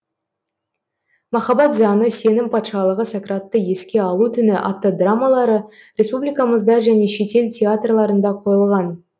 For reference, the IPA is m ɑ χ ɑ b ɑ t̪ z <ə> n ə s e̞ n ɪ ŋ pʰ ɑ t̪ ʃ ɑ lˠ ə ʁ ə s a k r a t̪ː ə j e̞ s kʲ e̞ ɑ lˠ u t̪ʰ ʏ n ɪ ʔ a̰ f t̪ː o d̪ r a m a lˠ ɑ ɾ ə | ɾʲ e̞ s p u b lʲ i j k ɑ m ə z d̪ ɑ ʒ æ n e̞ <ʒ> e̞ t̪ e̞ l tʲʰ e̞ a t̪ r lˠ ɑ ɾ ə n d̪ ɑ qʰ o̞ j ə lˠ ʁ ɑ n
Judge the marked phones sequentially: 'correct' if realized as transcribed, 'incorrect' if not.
incorrect, incorrect

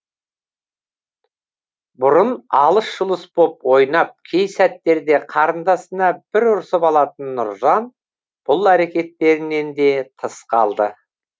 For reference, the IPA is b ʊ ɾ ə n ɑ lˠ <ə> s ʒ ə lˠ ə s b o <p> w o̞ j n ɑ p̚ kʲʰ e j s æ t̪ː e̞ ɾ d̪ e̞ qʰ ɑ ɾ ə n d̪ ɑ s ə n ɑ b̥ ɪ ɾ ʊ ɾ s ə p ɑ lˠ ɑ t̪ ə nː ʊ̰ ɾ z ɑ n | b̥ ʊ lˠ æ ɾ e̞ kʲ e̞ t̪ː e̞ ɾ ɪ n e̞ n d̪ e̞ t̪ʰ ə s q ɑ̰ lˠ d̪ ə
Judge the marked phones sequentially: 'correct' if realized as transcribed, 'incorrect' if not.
correct, correct

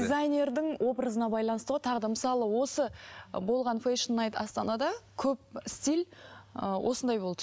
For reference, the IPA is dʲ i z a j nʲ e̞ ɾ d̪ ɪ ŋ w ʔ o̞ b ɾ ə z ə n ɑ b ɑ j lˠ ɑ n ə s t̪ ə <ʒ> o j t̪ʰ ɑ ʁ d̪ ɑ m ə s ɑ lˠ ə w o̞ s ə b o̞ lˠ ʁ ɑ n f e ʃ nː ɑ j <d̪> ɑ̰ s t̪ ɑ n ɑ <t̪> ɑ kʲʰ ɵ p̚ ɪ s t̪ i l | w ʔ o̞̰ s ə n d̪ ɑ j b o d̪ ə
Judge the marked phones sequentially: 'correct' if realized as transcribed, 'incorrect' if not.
incorrect, incorrect, incorrect

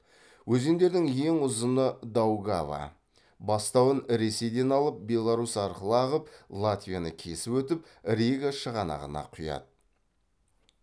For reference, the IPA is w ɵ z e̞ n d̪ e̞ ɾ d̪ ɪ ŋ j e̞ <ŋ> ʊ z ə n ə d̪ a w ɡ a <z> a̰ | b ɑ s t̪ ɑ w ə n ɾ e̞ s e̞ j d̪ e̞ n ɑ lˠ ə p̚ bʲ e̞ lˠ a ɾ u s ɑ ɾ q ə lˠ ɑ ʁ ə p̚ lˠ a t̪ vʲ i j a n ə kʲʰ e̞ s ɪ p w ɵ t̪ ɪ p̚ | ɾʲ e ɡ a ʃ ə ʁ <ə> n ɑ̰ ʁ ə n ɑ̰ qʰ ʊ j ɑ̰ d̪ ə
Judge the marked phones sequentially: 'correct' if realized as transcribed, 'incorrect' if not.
correct, incorrect, incorrect

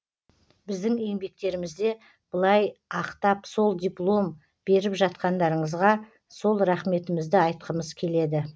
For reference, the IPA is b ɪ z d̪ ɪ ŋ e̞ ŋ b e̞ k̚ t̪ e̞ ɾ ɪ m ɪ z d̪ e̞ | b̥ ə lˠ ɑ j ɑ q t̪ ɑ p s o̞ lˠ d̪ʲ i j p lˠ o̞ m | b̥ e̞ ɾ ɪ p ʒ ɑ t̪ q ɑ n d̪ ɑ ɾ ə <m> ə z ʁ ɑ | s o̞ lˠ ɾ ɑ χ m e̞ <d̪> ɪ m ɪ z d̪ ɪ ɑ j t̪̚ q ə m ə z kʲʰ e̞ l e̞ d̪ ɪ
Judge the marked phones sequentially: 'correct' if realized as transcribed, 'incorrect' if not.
incorrect, incorrect

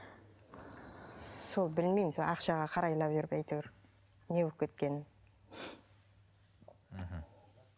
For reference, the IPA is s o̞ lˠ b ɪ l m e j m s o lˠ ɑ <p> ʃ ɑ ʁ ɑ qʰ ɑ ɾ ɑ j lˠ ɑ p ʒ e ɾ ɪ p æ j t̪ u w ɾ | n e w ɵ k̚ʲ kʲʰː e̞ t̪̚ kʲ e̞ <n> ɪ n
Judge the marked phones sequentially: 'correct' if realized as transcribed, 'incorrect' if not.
incorrect, correct

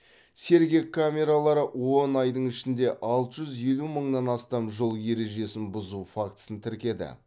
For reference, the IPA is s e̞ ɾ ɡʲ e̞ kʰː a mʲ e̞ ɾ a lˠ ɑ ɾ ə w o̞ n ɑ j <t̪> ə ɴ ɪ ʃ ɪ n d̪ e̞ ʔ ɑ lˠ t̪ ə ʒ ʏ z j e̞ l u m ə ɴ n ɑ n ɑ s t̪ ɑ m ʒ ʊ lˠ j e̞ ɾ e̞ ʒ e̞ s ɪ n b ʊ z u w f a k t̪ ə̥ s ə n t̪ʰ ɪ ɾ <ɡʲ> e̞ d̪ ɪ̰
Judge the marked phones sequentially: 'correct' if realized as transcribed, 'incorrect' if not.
incorrect, incorrect

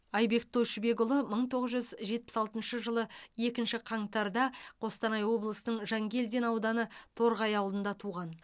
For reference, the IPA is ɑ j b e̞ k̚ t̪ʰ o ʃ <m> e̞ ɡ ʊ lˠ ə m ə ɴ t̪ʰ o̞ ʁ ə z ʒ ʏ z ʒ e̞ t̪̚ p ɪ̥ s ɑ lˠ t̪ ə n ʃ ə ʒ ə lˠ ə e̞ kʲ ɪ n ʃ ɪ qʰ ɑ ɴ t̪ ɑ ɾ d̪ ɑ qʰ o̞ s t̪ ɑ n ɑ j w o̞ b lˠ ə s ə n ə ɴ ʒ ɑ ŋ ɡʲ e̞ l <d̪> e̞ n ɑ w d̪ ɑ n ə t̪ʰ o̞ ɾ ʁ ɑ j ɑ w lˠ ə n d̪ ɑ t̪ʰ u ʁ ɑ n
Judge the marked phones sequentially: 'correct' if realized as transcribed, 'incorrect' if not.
incorrect, correct

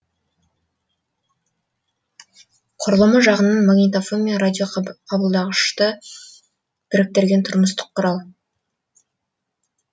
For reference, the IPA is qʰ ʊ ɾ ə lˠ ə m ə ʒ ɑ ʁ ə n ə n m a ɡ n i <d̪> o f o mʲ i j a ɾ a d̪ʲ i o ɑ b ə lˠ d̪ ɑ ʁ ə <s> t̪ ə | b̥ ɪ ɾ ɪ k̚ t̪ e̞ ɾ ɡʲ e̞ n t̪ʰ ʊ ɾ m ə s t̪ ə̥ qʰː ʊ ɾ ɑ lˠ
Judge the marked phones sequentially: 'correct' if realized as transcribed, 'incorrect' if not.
incorrect, incorrect

